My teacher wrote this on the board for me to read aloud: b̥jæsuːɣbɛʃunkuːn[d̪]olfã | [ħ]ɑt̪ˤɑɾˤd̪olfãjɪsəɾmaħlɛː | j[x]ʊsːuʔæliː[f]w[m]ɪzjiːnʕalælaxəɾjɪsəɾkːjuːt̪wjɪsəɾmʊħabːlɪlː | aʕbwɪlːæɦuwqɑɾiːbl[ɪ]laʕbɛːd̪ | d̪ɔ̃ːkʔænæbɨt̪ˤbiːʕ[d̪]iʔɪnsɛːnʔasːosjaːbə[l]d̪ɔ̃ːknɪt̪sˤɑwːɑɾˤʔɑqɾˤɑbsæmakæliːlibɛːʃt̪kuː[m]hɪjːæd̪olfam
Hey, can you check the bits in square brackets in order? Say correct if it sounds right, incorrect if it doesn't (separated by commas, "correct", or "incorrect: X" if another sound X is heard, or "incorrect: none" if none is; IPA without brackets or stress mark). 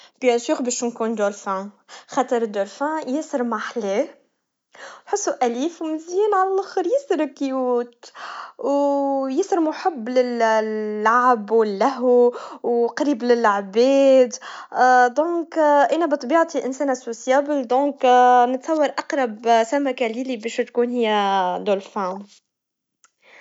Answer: correct, incorrect: x, incorrect: ħ, correct, correct, correct, incorrect: t̪, correct, incorrect: n